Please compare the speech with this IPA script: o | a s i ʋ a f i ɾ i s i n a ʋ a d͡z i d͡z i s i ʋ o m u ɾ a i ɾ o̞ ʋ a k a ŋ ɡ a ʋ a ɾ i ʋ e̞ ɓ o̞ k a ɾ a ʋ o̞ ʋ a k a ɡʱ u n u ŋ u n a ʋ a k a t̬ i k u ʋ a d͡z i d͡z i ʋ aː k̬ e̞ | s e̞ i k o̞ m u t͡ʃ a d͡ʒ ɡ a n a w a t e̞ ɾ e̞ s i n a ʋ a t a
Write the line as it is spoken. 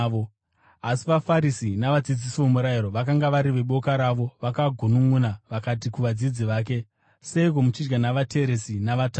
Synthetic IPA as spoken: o | a s i ʋ a f a ɾ i s i n a ʋ a d͡z i d͡z i s i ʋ o m u ɾ a i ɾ o̞ ʋ a k a ŋ ɡ a ʋ a ɾ i ʋ e̞ ɓ o̞ k a ɾ a ʋ o̞ ʋ a k a ɡʱ u n u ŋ u n a ʋ a k a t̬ i k u ʋ a d͡z i d͡z i ʋ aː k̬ e̞ | s e̞ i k o̞ m u t͡ʃ i d͡ʒ ɡ a n a ʋ a t e̞ ɾ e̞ s i n a ʋ a t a